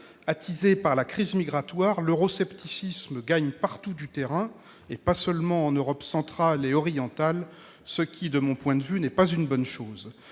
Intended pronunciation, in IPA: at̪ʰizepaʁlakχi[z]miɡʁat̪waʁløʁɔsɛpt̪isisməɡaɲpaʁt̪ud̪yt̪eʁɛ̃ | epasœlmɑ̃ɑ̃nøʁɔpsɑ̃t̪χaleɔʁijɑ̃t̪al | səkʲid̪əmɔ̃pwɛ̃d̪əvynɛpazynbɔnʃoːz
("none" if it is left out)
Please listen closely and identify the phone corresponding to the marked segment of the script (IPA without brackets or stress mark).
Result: z